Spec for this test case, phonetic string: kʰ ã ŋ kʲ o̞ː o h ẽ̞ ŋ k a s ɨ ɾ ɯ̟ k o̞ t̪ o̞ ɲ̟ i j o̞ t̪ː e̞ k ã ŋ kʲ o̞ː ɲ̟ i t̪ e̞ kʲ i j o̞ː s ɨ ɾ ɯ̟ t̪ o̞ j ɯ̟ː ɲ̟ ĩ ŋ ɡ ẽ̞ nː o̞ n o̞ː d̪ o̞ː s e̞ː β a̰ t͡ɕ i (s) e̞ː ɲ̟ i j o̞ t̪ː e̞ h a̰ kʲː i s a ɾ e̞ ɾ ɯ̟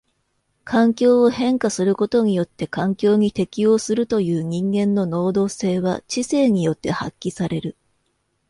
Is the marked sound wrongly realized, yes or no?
no